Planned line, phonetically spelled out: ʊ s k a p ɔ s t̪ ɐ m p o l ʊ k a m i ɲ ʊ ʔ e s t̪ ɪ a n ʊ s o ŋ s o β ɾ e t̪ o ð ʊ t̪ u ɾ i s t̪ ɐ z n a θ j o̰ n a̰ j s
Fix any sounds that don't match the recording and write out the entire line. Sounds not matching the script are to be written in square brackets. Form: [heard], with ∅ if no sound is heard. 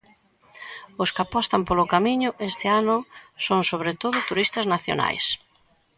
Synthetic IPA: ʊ s k a p ɔ s t̪ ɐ m p o l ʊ k a m i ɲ ʊ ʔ e s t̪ ɪ a n ʊ s o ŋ s o β ɾ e t̪ o ð ʊ t̪ u ɾ i s t̪ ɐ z n a θ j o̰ n a̰ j s